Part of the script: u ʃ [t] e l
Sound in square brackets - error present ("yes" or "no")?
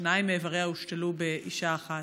no